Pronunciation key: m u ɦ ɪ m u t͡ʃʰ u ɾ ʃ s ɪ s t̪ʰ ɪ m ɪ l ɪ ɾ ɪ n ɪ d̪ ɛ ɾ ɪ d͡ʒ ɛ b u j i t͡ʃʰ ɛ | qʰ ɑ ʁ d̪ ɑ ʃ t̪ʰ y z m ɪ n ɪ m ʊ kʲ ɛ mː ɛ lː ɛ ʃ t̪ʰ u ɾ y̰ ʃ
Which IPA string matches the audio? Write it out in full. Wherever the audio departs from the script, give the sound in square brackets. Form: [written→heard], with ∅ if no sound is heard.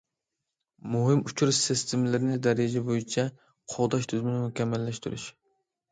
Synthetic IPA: m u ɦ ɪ m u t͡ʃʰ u ɾ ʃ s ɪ s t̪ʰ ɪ m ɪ l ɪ ɾ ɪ n ɪ d̪ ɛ ɾ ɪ d͡ʒ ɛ b [u→o] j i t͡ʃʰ ɛ | qʰ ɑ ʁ d̪ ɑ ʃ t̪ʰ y z m ɪ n ɪ m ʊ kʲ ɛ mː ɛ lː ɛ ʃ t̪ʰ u ɾ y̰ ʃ